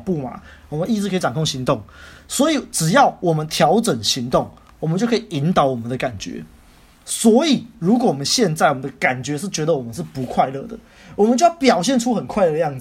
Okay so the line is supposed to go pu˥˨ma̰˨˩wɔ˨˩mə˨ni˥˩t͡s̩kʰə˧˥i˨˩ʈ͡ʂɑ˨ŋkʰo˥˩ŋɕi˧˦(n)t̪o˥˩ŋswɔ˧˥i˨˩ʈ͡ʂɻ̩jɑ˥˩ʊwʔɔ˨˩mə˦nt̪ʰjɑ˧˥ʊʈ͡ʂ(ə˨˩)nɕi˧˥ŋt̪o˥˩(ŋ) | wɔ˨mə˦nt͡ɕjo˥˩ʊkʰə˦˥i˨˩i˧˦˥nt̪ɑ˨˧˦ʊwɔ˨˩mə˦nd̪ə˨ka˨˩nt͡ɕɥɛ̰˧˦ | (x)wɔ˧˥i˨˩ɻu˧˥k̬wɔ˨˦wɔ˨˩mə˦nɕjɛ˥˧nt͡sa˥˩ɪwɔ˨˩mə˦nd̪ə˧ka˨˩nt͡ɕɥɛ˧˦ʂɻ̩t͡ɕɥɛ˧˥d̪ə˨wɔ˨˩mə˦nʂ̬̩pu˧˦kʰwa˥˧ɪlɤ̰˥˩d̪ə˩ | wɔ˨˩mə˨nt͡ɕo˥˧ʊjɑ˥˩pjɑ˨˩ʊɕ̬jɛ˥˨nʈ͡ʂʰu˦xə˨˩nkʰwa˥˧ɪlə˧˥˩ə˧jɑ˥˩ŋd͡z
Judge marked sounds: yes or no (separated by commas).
no, yes, yes, no